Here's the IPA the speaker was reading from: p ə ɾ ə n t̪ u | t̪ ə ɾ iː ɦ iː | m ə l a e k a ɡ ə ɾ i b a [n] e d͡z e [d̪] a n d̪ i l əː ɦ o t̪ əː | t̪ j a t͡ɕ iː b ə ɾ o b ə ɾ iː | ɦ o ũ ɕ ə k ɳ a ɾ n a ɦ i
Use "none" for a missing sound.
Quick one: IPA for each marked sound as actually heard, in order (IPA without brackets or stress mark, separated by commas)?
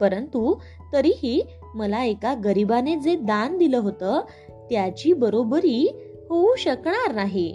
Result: n, d̪